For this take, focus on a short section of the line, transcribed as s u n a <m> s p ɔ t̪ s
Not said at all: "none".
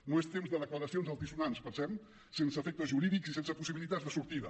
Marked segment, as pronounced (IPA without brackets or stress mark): n